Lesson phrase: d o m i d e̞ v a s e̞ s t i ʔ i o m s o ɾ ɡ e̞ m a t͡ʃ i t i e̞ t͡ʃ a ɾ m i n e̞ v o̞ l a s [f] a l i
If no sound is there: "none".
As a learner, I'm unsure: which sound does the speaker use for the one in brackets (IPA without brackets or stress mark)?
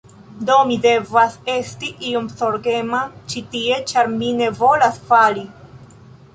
f